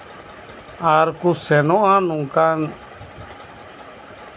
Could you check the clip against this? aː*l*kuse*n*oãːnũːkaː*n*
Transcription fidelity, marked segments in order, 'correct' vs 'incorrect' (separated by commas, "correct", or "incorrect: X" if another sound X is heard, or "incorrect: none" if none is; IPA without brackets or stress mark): incorrect: ɾ, correct, correct